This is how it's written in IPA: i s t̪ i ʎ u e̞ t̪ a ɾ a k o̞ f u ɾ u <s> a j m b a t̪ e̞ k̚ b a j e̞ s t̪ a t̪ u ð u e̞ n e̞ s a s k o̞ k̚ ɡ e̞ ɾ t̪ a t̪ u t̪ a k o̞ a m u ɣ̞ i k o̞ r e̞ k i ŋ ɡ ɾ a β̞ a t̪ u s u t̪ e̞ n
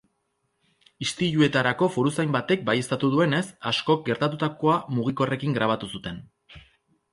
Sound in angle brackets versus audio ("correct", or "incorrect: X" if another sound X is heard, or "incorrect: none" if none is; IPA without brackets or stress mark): correct